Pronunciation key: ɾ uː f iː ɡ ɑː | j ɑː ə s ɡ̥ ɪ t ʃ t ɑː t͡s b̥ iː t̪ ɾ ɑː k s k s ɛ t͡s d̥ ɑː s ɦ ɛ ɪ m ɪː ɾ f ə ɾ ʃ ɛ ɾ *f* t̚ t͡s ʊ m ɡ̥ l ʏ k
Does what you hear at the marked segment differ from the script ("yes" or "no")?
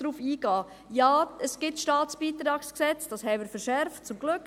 no